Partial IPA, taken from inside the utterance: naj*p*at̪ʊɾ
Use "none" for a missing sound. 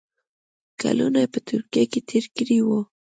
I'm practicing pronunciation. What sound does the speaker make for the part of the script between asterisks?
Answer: p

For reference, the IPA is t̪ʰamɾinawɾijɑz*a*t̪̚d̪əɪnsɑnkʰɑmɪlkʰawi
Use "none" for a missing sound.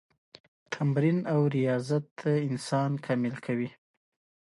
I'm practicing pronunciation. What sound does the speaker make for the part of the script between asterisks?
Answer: a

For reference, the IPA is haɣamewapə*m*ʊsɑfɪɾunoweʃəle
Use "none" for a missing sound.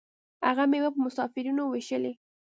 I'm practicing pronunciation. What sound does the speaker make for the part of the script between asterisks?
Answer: m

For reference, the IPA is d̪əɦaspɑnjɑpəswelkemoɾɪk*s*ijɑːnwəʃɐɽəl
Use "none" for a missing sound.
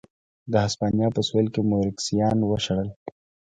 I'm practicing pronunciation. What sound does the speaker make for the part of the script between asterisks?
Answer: s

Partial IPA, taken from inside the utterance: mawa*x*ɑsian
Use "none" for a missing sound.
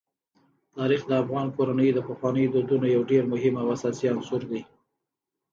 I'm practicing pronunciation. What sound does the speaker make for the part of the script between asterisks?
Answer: s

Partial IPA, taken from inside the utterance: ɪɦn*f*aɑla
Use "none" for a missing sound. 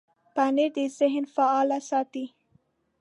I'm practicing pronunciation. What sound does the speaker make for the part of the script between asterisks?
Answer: f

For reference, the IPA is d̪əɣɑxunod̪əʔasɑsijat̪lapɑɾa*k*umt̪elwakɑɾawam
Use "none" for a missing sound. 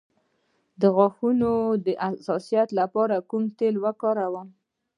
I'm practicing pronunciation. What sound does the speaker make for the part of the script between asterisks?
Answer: k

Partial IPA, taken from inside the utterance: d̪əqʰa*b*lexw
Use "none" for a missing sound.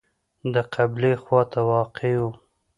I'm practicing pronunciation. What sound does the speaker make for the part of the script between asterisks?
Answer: b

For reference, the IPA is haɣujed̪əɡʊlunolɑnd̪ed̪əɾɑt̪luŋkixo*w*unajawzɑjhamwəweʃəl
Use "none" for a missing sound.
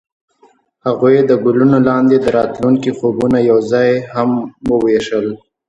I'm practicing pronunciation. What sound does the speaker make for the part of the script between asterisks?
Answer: b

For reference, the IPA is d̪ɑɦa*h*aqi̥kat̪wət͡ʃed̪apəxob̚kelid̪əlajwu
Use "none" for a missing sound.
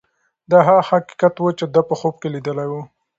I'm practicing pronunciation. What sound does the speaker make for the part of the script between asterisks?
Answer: h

